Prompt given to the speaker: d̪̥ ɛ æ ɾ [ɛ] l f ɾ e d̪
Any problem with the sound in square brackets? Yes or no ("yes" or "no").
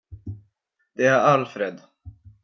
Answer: yes